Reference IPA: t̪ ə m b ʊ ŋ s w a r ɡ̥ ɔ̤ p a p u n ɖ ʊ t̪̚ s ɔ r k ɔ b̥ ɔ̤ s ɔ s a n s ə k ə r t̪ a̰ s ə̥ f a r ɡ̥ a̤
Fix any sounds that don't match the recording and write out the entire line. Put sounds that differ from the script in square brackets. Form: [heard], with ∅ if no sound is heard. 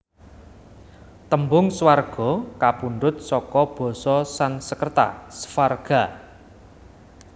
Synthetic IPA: t̪ ə m b ʊ ŋ s w a r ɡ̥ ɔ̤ [k] a p u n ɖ ʊ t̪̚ s ɔ [∅] k ɔ b̥ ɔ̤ s ɔ s a n s ə k ə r t̪ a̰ s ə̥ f a r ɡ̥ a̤